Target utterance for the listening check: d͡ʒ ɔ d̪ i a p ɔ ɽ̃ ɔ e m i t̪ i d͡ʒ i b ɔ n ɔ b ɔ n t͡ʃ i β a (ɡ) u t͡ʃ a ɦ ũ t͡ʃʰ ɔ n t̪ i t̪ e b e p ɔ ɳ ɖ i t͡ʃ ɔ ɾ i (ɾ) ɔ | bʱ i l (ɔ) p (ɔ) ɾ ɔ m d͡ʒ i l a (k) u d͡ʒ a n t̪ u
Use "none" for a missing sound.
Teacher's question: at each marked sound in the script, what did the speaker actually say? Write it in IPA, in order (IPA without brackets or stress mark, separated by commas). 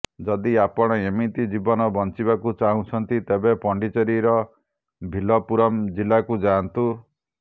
k, ɾ, ɔ, u, k